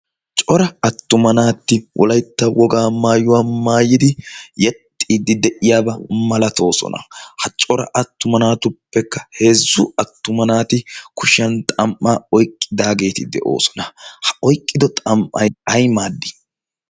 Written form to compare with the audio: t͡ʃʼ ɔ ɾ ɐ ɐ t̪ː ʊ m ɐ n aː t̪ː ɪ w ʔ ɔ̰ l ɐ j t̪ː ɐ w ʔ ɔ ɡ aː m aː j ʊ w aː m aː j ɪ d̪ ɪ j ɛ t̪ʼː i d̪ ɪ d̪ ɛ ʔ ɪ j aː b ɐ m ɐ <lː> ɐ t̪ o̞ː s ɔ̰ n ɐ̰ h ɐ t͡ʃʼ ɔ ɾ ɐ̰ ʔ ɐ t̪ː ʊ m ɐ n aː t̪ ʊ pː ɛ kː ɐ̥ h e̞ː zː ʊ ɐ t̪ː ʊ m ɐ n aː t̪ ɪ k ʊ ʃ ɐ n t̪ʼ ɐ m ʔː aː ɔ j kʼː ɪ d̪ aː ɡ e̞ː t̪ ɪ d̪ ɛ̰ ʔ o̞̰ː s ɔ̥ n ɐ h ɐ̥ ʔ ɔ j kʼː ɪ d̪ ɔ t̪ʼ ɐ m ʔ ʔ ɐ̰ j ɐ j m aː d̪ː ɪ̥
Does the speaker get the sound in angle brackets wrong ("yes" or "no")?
yes